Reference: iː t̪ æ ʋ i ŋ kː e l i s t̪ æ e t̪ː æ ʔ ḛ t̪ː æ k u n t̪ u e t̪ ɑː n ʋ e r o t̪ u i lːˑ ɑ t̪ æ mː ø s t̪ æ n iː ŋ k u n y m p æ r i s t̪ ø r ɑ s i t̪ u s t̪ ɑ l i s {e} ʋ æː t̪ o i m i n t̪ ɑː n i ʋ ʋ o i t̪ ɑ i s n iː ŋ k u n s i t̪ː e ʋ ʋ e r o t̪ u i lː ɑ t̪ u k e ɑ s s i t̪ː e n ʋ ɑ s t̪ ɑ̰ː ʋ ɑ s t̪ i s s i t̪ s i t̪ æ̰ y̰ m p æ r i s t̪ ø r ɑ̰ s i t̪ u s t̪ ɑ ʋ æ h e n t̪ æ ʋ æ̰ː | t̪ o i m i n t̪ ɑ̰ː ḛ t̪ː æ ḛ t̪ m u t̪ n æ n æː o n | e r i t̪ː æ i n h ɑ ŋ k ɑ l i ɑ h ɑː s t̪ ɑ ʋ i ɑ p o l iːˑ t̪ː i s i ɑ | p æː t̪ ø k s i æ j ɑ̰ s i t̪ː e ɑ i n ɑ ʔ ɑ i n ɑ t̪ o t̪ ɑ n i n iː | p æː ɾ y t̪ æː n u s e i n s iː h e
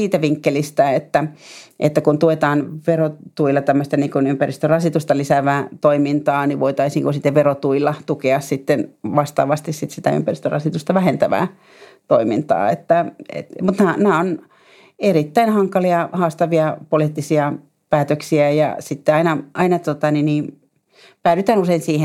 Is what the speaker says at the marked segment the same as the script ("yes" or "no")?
no